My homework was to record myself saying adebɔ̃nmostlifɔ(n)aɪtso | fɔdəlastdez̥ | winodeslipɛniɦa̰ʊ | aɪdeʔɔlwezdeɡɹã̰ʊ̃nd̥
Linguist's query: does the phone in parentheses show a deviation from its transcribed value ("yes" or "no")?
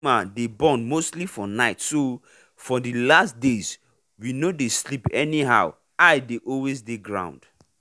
no